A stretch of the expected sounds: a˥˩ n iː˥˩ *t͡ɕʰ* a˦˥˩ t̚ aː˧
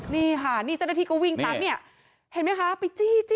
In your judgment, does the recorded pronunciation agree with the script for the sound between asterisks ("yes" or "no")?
no